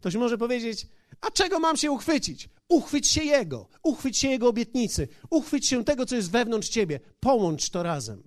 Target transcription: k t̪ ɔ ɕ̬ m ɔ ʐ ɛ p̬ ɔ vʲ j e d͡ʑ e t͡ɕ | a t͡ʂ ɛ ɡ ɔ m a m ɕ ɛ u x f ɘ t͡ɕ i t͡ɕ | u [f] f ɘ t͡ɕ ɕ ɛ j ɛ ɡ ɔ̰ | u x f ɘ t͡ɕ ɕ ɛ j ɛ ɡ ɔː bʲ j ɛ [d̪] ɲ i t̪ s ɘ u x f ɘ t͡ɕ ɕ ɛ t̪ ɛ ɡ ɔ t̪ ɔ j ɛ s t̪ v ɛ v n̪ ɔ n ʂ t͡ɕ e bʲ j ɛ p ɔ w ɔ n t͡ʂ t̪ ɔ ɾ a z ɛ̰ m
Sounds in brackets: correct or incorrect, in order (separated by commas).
incorrect, incorrect